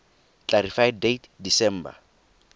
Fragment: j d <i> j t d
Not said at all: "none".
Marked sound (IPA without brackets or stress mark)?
e